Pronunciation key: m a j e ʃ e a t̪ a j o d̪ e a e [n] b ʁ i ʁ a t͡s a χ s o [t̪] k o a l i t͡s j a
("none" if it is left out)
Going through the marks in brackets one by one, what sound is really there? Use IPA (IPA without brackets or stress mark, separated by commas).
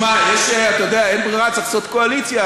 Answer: n, t̪